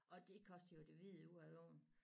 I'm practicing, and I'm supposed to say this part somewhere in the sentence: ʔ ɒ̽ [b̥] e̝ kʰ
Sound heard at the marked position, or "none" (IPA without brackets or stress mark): d̥